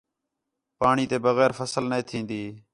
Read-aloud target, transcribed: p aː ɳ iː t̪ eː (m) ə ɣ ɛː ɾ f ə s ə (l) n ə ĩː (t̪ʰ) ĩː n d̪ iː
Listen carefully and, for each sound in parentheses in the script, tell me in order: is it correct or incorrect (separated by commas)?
incorrect, correct, correct